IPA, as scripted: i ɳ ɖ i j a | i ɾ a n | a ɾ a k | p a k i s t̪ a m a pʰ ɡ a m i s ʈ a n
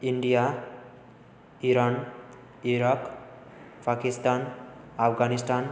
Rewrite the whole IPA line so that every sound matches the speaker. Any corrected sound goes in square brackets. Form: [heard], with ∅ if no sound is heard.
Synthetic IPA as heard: i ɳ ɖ i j a | i ɾ a n | [i] ɾ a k | p a k i s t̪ a [n] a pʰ ɡ a [n] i s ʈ a n